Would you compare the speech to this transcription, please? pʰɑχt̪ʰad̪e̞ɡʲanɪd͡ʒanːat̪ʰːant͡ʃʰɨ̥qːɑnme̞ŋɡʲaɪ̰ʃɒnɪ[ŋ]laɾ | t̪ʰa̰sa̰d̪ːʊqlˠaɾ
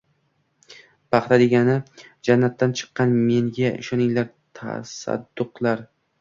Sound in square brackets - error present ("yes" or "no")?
no